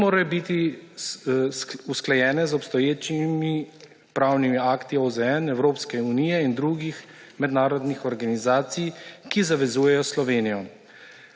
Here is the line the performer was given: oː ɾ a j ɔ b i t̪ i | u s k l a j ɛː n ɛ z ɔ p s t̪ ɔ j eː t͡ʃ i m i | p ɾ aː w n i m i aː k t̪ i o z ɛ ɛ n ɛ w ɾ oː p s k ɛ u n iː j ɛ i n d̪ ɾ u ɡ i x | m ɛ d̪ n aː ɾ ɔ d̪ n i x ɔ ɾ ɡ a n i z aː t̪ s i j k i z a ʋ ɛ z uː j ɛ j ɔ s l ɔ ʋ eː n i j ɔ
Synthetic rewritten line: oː ɾ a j ɔ b i t̪ i | u s k l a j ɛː n ɛ z ɔ p s t̪ ɔ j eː t͡ʃ i m i | p ɾ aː w n i m i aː k t̪ i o z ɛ ɛ n ɛ w ɾ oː p s k ɛ u n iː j ɛ i n d̪ ɾ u ɡ i x | m ɛ d̪ n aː ɾ ɔ d̪ n i x ɔ ɾ ɡ a n i z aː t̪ s i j k i z a ʋ ɛ z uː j ɛ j ɔ s l ɔ ʋ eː n i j ɔ